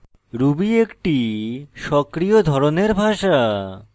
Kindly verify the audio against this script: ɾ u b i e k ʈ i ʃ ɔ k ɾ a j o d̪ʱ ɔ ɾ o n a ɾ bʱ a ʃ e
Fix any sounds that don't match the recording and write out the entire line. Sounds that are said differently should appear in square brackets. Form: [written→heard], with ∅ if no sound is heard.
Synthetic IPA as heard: ɾ u b i e k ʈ i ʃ ɔ k ɾ [a→i] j o d̪ʱ ɔ ɾ o n [a→e] ɾ bʱ a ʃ [e→a]

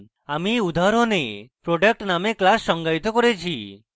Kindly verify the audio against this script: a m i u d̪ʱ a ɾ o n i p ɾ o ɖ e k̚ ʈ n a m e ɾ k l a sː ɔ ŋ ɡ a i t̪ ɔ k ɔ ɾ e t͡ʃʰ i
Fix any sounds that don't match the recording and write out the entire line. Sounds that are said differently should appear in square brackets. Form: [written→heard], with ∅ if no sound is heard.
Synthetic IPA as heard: a m i u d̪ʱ a ɾ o n [i→e] p ɾ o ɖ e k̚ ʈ n a m e [ɾ→∅] k l a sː ɔ ŋ ɡ a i t̪ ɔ k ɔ ɾ e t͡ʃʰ i

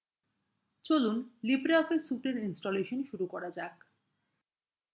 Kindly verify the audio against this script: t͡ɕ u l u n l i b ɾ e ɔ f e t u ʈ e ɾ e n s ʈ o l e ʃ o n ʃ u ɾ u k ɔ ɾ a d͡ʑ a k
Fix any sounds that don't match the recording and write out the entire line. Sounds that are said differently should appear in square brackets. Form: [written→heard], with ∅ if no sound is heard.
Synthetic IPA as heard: t͡ɕ [u→o] l u n l i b ɾ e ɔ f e [t→s] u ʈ e ɾ [e→i] n s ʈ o l e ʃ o n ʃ u ɾ u k ɔ ɾ a d͡ʑ a k

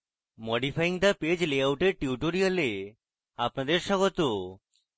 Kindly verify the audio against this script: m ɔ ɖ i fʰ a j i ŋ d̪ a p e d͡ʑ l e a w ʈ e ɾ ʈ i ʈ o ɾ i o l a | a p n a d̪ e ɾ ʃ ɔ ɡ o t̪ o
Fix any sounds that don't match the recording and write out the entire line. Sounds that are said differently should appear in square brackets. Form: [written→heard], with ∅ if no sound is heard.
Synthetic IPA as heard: m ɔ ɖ i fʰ a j i ŋ d̪ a p e d͡ʑ l e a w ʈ e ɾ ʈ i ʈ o ɾ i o l [a→e] | a p n a d̪ e ɾ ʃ ɔ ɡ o t̪ o

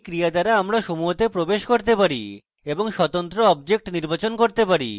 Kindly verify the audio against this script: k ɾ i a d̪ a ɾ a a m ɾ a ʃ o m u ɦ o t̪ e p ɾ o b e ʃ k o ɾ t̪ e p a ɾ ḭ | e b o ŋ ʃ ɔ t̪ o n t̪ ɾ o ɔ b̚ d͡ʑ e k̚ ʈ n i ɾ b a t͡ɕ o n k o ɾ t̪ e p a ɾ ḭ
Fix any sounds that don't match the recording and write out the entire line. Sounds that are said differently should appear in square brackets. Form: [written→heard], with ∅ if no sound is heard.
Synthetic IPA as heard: k ɾ i a d̪ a ɾ a a m ɾ a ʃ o m u ɦ o t̪ e p ɾ o b e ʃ k o ɾ t̪ e p a ɾ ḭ | e b o ŋ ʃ ɔ t̪ o n t̪ ɾ o ɔ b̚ d͡ʑ e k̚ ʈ n i ɾ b a t͡ɕ o n k o ɾ t̪ e p a ɾ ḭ

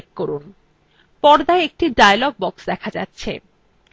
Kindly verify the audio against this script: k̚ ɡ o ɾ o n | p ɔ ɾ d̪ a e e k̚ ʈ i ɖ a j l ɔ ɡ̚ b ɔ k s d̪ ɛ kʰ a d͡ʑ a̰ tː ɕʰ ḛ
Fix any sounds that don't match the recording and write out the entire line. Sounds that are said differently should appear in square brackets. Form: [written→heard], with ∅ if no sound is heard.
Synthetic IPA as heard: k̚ [ɡ→k] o ɾ [o→u] n | p ɔ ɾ d̪ a e e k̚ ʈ i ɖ a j l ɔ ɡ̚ b ɔ k s d̪ ɛ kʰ a d͡ʑ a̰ tː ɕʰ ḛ

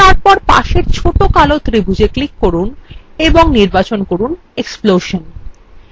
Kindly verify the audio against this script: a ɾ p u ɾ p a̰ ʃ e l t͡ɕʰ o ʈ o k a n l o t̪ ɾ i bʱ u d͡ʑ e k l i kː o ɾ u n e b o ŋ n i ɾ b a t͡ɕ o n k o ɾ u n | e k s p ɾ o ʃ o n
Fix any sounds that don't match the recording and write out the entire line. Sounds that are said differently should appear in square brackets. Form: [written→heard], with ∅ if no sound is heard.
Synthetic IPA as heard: a ɾ p [u→ɔ] ɾ p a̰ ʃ e [l→ɾ] t͡ɕʰ o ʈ o k a [n→∅] l o t̪ ɾ i bʱ u d͡ʑ e k l i kː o ɾ u n e b o ŋ n i ɾ b a t͡ɕ o n k o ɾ u n | e k s p [ɾ→l] o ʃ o n

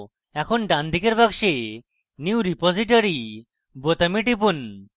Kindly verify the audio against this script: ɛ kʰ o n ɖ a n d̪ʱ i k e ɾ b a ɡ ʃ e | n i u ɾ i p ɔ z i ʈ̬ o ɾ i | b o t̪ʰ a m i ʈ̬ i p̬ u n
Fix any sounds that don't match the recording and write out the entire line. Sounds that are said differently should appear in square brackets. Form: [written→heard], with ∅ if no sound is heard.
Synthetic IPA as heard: ɛ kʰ o n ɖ a n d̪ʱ i k e ɾ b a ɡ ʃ e | n i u ɾ i p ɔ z i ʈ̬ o ɾ i | b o [t̪ʰ→t̪] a m i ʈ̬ i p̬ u n

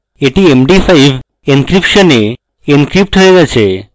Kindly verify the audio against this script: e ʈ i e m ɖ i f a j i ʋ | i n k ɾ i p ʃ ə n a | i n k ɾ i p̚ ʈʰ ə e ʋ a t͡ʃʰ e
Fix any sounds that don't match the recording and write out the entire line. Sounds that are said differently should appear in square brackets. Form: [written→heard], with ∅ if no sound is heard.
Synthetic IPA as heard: e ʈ i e m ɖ i f a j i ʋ | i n k ɾ i p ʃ ə n [a→e] | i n k ɾ i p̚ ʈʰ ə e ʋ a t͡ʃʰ e

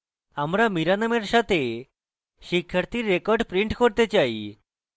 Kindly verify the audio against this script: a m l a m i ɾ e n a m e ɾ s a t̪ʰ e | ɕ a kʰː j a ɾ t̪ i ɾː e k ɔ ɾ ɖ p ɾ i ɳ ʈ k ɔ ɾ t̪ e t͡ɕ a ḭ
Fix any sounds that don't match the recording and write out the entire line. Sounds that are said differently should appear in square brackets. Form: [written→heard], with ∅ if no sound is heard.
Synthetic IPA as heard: a m [l→ɾ] a m i ɾ [e→a] n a m e ɾ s a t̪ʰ e | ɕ [a→i] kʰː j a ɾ t̪ i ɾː e k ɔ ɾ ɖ p ɾ i ɳ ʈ k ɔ ɾ t̪ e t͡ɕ a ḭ

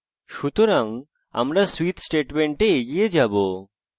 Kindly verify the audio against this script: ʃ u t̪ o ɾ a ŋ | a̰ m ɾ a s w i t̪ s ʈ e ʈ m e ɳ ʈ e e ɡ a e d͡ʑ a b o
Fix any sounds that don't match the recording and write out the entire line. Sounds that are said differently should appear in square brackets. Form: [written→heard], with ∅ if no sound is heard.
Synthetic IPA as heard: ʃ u t̪ o ɾ a ŋ | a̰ m ɾ a s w i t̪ s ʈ e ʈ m e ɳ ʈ e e ɡ [a→i] e d͡ʑ a b o

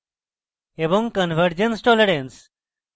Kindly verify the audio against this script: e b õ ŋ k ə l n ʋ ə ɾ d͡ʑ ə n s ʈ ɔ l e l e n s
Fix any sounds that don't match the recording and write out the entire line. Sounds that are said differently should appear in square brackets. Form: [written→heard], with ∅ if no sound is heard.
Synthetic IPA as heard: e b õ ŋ k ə [l→∅] n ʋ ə ɾ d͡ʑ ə n s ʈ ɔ l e [l→ɾ] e n s

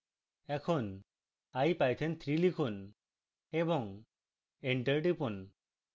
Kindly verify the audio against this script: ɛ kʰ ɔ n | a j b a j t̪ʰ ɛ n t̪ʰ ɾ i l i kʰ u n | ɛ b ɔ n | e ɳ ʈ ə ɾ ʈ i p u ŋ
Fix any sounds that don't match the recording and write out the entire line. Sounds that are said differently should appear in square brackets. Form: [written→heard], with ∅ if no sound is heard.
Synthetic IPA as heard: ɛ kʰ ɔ n | a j [b→p] a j t̪ʰ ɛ n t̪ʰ ɾ i l i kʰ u n | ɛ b ɔ [n→ŋ] | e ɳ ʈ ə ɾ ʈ i p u [ŋ→n]

